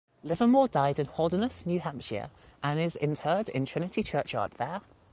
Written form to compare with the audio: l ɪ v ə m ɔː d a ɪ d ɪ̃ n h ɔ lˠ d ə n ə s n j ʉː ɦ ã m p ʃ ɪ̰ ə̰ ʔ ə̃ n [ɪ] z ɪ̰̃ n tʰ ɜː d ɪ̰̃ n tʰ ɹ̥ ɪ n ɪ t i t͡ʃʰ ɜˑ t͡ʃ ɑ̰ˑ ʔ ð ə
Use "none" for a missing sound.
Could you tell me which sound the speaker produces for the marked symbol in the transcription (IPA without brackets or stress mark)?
ɪ